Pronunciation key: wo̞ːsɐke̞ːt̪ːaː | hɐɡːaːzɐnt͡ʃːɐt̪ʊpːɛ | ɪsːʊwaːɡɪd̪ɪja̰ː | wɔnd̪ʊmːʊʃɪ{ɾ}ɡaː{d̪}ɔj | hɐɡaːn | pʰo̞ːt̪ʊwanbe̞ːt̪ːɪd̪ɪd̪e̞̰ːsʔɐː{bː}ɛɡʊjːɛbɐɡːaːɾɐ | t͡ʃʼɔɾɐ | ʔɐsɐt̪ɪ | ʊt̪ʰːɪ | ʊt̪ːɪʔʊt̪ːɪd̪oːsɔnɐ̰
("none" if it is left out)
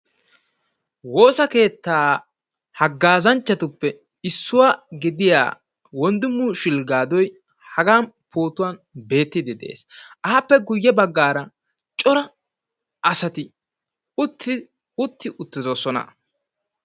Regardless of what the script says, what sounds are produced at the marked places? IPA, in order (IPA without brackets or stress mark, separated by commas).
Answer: l, d̪, pː